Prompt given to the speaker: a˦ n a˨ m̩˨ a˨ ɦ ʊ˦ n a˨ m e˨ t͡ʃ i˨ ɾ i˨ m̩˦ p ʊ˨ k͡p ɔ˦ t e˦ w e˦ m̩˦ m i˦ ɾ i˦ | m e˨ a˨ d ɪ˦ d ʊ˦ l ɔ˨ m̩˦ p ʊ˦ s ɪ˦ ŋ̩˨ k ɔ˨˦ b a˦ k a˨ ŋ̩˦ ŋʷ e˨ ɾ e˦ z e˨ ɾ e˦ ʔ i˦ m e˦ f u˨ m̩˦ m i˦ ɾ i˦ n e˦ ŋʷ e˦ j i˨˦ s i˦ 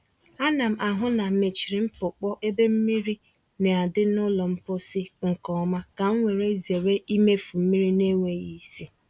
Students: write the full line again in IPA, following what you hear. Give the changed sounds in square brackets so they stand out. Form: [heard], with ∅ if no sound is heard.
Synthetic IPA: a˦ n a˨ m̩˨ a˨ ɦ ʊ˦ n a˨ m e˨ t͡ʃ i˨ ɾ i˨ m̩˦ p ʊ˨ k͡p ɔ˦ [ʔ] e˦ [b] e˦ m̩˦ m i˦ ɾ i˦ | [n] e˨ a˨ d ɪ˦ [n] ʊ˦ l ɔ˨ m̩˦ p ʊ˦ s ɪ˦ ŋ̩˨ k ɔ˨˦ [m] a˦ k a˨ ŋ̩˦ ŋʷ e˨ ɾ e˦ z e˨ ɾ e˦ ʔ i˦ m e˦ f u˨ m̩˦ m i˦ ɾ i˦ n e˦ ŋʷ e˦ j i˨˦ s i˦